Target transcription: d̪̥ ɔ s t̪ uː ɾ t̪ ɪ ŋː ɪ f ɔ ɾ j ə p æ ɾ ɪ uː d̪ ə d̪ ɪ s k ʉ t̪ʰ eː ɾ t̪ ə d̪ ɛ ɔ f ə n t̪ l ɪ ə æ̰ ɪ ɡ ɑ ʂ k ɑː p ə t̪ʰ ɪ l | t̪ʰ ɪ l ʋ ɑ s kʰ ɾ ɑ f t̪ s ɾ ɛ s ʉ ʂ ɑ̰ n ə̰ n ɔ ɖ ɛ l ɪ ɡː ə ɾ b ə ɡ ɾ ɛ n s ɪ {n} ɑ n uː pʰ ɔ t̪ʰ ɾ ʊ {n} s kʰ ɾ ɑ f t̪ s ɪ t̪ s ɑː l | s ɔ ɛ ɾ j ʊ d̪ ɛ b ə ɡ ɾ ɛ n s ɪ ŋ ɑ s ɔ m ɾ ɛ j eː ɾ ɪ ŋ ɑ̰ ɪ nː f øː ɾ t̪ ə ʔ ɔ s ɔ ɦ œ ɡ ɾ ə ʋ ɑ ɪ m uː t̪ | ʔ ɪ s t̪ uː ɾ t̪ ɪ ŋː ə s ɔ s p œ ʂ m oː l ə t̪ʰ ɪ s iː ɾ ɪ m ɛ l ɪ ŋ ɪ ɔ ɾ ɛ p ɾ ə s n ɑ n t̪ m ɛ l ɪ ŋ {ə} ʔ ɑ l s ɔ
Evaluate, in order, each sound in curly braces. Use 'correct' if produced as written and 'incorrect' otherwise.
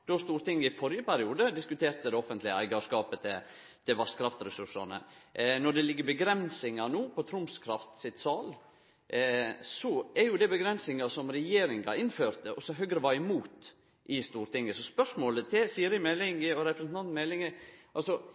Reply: incorrect, incorrect, correct

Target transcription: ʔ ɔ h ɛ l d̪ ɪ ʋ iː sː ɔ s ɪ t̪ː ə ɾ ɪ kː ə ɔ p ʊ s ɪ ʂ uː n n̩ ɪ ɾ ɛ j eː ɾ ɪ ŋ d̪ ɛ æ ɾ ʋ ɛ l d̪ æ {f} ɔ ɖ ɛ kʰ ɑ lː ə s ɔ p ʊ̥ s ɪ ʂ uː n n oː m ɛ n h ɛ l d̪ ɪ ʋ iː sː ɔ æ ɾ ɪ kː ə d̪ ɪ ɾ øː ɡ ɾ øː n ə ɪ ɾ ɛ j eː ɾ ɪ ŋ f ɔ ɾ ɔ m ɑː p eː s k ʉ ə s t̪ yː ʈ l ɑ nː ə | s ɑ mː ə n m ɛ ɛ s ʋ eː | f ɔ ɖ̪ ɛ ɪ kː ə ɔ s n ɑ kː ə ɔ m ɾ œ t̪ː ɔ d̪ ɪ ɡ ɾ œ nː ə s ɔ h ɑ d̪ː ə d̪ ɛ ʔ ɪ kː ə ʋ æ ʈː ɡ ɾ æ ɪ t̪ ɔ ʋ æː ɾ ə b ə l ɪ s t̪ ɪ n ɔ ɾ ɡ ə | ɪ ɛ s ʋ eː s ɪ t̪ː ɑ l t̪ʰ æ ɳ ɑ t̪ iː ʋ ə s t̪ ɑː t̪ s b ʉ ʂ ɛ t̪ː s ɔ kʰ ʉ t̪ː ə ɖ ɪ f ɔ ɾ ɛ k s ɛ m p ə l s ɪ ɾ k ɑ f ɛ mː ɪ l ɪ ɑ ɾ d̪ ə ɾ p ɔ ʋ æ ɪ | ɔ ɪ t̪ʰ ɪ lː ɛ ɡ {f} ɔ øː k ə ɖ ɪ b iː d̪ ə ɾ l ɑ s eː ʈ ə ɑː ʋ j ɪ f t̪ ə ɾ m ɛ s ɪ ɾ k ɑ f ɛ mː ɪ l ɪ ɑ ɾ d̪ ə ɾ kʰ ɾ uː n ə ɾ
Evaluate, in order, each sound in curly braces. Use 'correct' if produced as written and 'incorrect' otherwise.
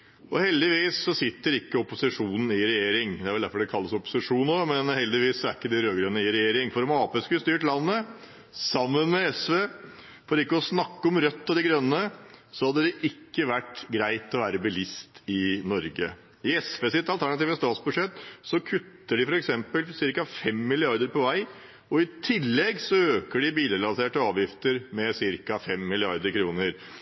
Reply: correct, incorrect

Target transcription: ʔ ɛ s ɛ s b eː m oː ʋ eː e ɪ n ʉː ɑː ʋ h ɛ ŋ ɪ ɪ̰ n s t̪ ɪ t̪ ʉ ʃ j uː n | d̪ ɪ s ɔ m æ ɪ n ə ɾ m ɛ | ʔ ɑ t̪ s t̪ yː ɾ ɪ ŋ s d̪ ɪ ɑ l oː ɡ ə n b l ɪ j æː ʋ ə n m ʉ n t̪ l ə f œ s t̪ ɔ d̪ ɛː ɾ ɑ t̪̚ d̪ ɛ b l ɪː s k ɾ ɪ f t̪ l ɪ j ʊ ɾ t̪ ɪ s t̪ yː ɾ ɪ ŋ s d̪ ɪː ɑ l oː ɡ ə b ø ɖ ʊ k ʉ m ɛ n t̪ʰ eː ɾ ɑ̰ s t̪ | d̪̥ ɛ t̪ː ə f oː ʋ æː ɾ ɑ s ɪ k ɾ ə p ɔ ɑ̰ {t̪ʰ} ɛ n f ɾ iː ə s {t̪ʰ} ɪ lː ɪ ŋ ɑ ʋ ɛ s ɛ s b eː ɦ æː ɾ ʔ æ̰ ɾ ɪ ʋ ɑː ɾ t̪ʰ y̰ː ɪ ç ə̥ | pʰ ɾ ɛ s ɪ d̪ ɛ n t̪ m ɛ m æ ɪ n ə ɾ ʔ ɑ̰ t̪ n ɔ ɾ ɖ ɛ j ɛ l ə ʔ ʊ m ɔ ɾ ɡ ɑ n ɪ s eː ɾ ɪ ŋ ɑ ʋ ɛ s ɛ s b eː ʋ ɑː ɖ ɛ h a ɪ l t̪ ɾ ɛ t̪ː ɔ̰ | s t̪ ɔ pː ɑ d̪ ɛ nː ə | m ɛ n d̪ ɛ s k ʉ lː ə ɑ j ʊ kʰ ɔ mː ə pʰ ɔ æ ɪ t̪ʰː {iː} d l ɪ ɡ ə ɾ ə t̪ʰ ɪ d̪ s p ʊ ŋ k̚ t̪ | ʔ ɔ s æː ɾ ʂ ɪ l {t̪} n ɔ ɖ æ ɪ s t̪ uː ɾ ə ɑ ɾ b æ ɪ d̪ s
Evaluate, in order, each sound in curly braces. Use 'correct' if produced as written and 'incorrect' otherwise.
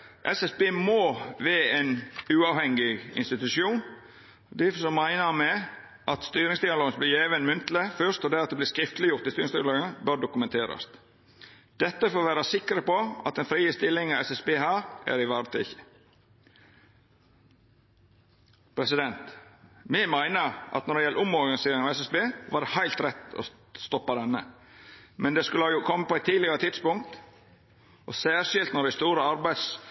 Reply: incorrect, incorrect, correct, correct

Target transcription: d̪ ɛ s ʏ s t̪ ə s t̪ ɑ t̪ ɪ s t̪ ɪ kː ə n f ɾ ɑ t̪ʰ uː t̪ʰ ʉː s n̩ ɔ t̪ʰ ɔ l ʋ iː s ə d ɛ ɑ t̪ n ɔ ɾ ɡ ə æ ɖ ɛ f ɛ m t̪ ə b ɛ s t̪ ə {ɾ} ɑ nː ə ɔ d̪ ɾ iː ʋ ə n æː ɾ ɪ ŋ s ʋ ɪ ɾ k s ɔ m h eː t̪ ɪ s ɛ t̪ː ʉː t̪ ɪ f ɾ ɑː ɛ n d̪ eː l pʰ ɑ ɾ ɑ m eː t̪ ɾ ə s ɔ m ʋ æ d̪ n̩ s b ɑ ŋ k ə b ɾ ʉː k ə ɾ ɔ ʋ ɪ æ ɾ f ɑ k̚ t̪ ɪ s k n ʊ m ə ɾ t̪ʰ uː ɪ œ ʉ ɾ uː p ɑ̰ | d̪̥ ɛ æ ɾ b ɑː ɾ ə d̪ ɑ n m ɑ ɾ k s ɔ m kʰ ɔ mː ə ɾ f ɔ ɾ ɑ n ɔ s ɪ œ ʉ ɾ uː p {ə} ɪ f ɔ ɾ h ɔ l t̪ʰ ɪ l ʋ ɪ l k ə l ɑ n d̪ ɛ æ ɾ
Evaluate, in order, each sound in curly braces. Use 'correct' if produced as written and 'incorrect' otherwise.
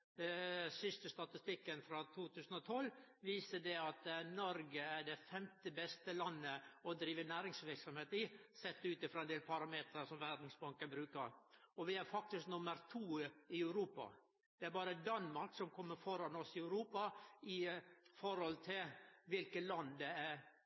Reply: incorrect, incorrect

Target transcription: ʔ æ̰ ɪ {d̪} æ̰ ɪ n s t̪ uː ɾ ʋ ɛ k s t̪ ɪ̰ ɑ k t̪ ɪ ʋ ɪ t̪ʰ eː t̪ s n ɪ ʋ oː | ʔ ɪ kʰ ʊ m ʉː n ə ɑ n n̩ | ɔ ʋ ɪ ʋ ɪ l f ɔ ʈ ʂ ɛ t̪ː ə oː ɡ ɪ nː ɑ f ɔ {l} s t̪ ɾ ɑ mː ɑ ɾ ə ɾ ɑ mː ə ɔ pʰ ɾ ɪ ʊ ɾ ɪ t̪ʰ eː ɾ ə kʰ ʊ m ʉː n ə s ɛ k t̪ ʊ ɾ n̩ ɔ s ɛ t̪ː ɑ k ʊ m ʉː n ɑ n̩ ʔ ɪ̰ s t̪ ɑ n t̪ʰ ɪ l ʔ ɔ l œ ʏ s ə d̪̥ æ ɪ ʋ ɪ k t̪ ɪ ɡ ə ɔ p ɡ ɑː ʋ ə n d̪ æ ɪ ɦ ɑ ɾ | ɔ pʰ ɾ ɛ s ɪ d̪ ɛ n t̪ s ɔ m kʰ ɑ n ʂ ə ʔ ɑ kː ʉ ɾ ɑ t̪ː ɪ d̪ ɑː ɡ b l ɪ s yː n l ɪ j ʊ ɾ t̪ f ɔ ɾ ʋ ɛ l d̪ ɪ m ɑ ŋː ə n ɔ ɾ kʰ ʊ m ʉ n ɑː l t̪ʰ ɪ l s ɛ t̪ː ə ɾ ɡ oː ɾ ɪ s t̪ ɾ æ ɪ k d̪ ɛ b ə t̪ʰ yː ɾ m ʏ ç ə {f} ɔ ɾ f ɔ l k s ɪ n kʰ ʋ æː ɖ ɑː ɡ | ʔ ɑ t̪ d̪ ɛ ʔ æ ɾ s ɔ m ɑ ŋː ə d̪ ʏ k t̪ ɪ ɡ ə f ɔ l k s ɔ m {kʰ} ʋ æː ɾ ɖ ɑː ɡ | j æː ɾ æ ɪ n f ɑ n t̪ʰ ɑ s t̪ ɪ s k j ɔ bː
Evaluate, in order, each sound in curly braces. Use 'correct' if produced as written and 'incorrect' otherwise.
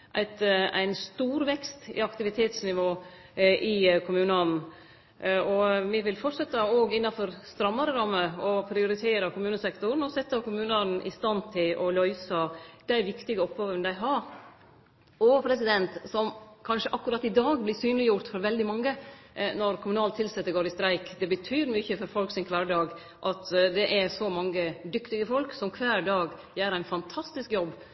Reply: incorrect, incorrect, correct, correct

